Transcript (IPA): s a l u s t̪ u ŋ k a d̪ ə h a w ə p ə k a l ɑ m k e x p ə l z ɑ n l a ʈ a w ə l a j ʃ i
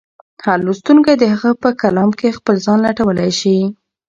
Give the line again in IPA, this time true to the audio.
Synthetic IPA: h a l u s t̪ u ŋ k a d̪ ə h a ɣ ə p ə k a l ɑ m k e x p ə l z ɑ n l a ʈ a w ə l a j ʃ i